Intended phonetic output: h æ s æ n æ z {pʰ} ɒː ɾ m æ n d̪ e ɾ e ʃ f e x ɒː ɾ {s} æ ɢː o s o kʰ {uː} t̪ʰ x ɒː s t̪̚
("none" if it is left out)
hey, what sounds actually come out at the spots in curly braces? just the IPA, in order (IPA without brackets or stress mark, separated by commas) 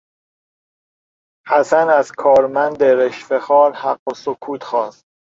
kʰ, h, uː